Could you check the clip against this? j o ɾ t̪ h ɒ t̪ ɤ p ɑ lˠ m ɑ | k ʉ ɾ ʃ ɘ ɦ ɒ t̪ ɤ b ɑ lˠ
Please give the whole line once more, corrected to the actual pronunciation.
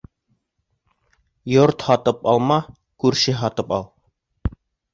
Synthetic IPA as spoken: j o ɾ t̪ h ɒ t̪ ɤ p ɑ lˠ m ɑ | k ʉ ɾ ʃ ɘ ɦ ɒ t̪ ɤ p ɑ lˠ